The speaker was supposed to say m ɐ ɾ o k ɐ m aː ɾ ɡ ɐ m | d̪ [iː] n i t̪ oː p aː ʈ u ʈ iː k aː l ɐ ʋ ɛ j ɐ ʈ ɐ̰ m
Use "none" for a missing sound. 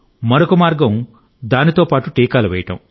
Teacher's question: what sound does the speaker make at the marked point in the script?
aː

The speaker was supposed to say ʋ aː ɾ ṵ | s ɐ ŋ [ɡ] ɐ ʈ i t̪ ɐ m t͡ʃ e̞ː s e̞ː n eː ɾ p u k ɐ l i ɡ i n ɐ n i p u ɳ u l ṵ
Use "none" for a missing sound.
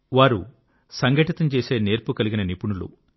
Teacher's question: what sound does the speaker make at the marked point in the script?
ɡ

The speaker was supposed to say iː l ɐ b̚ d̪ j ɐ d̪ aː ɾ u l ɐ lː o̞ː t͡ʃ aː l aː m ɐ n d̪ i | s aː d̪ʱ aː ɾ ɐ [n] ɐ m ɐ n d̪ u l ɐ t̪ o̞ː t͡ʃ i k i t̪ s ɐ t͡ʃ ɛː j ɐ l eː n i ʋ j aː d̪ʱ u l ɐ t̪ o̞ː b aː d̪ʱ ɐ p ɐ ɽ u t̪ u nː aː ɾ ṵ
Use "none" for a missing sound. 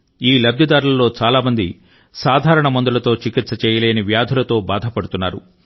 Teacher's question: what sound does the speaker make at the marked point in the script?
ɳ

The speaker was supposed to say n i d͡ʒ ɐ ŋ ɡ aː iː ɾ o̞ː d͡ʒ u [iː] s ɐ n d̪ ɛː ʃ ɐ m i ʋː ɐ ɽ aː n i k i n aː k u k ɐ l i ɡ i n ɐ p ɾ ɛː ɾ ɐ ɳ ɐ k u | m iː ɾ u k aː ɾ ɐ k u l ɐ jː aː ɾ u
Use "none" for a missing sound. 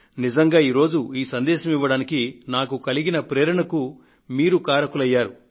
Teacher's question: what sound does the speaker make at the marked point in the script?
iː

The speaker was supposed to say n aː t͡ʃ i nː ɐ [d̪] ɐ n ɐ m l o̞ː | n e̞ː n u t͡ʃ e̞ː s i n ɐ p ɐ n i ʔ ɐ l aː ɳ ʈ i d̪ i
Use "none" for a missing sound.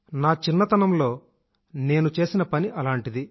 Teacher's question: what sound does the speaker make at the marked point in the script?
t̪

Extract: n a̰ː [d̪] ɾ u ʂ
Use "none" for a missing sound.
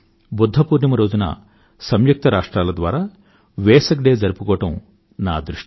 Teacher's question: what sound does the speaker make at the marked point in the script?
d̪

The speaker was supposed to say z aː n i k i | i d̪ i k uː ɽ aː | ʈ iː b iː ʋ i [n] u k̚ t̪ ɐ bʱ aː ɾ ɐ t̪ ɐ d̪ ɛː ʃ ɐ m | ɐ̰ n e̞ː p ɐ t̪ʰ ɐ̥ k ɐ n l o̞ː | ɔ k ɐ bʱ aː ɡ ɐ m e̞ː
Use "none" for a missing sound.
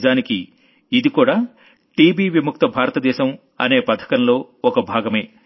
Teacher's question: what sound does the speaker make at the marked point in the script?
m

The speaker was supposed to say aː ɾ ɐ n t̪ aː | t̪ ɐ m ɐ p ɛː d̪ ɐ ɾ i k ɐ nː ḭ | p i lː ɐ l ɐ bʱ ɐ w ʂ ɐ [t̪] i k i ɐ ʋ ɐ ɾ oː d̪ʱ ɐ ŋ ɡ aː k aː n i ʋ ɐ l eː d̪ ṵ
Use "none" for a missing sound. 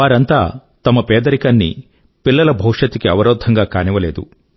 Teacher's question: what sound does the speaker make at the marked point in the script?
t̪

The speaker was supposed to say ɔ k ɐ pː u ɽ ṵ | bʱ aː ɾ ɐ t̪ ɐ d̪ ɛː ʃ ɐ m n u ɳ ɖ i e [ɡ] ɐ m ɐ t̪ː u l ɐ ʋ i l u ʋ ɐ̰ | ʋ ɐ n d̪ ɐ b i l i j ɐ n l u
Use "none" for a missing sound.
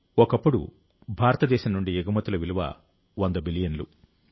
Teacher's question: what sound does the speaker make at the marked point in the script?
ɡ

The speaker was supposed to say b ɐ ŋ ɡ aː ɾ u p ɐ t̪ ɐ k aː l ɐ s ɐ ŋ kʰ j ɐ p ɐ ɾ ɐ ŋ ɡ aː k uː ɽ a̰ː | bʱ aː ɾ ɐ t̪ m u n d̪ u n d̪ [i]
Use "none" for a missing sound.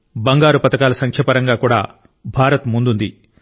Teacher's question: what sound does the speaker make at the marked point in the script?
i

